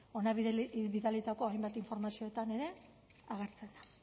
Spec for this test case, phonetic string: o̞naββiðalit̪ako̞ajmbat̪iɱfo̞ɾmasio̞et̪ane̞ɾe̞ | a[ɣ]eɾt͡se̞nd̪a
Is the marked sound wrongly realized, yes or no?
no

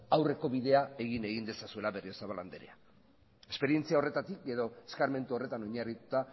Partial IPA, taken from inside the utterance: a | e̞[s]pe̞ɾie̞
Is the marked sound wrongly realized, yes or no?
no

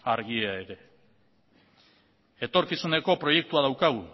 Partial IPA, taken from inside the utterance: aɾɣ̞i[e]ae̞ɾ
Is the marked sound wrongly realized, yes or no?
no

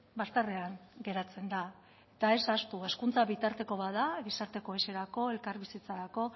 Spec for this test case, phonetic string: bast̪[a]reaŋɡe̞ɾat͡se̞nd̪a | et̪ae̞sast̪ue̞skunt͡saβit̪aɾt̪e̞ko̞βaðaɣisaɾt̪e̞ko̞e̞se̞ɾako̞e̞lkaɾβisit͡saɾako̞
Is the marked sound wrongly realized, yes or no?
no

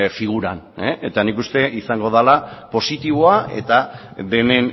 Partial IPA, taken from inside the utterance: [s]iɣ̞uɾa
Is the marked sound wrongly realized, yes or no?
yes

